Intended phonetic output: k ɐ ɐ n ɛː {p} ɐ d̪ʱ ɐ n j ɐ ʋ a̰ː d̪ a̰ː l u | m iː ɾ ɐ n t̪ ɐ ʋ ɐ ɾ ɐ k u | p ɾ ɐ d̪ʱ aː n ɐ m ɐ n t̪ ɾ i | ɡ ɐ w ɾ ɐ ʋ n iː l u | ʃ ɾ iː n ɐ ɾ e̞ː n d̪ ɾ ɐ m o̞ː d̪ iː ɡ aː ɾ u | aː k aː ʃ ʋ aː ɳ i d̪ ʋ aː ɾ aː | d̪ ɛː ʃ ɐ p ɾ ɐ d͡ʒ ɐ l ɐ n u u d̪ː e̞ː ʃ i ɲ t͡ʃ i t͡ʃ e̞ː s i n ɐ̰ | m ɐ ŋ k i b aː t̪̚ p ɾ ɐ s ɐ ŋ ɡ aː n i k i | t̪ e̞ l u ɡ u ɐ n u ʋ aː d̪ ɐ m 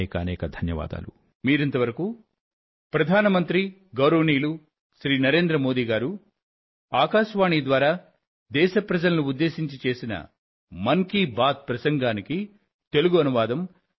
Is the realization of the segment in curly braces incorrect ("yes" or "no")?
yes